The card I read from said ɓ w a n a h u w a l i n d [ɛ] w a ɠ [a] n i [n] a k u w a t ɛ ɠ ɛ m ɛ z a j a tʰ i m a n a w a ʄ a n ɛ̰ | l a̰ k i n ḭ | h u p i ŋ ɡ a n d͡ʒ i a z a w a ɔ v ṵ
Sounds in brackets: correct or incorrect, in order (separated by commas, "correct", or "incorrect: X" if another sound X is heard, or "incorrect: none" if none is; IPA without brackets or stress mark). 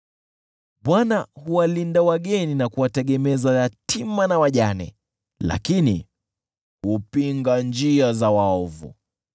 incorrect: a, incorrect: ɛ, correct